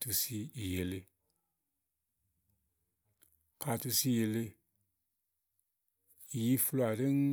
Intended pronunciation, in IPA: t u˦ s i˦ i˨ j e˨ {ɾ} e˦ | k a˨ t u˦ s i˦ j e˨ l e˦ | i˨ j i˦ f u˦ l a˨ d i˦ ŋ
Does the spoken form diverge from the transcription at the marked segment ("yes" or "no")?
yes